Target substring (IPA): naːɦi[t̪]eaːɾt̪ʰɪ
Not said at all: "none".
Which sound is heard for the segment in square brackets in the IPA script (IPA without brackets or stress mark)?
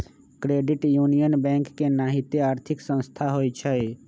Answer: t̪